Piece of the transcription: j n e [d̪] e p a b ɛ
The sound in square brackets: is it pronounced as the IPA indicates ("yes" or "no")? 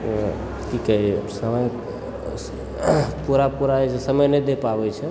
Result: yes